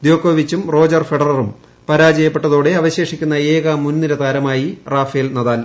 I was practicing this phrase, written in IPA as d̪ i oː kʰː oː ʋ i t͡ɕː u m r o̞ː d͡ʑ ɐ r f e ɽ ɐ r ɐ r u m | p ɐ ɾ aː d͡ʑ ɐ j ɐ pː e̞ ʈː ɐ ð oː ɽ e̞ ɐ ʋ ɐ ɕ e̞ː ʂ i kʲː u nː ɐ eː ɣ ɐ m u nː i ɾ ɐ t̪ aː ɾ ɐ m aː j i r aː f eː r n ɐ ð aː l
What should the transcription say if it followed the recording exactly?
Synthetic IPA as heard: d̪ j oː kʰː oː ʋ i t͡ɕː u m r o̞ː d͡ʑ ɐ r f e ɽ ɐ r ɐ r u m | p ɐ ɾ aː d͡ʑ ɐ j ɐ pː e̞ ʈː ɐ ð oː ɽ e̞ ɐ ʋ ɐ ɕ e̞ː ʂ i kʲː u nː ɐ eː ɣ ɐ m u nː i ɾ ɐ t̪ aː ɾ ɐ m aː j i r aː f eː l n ɐ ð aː l